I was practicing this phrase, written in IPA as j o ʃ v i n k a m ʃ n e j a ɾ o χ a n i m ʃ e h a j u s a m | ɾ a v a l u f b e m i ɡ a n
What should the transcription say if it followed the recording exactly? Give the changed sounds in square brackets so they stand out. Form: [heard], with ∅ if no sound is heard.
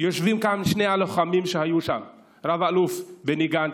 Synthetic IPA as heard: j o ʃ v i [m] k a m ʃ n e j a [l] o χ a [m] i m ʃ e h a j u [ʃ] a m | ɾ a v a l u f b e [n] i ɡ a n